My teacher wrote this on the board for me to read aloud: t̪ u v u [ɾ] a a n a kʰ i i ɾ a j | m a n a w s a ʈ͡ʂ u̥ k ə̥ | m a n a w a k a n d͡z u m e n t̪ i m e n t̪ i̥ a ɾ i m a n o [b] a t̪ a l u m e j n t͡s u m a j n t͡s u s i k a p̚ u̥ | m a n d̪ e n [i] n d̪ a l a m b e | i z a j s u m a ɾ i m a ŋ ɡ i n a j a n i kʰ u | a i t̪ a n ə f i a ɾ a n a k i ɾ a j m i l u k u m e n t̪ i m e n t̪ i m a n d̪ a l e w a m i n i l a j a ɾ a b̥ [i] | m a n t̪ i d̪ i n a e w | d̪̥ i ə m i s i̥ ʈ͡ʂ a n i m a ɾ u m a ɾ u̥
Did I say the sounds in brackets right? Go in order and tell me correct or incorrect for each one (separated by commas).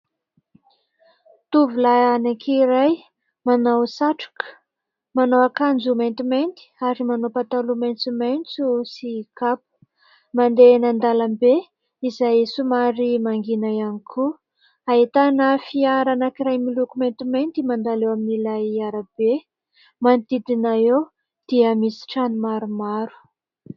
incorrect, incorrect, incorrect, incorrect